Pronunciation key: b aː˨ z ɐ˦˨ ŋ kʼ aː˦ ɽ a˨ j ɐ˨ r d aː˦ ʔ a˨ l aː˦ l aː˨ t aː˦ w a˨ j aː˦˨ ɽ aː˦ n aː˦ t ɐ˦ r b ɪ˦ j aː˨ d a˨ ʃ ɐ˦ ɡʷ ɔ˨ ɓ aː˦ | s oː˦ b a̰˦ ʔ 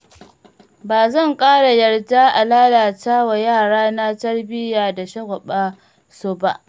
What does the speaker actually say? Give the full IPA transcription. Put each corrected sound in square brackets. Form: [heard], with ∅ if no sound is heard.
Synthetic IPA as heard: b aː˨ z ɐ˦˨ ŋ kʼ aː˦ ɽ a˨ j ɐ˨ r d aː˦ ʔ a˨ l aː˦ l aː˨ t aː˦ w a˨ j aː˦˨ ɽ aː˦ n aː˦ t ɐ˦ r b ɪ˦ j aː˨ d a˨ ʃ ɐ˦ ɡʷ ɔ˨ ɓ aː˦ | s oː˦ b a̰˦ ʔ